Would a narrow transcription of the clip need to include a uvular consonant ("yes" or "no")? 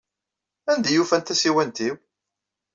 no